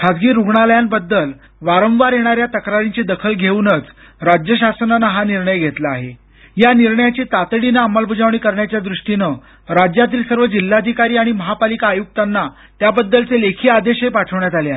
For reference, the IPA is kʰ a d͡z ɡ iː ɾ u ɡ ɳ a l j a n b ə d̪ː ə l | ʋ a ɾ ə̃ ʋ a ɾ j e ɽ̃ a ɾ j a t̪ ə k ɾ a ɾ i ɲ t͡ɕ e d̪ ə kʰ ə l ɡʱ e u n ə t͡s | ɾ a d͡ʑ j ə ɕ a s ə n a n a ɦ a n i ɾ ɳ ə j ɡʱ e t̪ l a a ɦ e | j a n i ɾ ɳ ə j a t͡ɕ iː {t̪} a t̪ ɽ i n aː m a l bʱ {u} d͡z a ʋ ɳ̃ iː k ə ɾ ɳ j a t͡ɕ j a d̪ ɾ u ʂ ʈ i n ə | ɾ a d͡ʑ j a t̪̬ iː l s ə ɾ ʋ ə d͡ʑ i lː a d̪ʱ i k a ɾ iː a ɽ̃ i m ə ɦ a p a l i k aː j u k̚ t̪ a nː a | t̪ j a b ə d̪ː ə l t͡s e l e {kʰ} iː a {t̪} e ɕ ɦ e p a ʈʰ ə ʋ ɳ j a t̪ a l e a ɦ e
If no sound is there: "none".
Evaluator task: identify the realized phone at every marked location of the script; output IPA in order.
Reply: t̪, u, kʰ, d̪

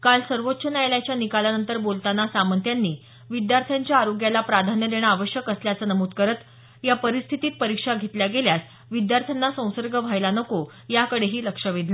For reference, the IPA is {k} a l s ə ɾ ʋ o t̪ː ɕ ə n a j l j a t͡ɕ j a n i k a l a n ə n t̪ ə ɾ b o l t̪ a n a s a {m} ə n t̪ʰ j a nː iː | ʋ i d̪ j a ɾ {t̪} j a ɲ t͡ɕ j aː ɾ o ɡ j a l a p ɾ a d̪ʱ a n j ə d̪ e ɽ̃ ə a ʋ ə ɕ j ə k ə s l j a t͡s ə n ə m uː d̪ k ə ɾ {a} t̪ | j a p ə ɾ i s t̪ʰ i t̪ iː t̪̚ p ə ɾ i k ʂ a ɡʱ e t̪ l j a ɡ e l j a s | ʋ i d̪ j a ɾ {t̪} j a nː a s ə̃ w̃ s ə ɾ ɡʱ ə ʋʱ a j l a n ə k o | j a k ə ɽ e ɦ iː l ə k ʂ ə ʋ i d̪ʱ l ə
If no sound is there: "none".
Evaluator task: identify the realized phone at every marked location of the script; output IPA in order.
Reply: k, m, t̪ʰ, ə, t̪ʰ

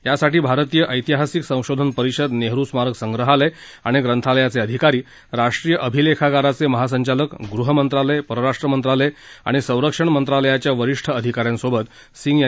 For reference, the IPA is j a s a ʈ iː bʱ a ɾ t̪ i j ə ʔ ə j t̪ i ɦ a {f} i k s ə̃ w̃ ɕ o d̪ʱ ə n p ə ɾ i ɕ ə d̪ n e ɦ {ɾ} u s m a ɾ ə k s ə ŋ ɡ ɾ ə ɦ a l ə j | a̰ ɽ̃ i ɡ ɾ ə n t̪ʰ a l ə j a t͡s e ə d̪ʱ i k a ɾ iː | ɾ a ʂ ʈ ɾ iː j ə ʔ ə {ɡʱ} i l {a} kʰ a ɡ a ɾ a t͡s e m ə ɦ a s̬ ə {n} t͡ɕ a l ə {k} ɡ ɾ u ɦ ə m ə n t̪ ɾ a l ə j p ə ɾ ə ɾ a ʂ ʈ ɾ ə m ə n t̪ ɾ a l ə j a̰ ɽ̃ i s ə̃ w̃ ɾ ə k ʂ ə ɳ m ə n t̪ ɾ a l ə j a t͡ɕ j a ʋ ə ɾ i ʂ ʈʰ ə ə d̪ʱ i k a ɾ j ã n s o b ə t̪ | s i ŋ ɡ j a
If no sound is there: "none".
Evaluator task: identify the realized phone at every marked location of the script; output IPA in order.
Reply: s, ɾ, bʱ, e, ɲ, k

